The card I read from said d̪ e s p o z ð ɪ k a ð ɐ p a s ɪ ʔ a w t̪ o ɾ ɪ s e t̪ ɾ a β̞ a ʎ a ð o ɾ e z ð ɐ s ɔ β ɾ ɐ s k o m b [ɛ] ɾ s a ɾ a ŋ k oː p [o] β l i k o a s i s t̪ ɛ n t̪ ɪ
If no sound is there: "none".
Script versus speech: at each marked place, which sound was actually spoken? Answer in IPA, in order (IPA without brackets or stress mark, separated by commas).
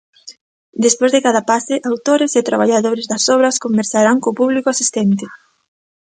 e, u